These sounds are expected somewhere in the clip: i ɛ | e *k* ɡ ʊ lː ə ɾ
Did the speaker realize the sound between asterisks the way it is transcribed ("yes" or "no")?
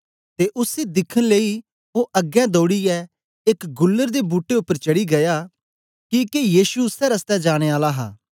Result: yes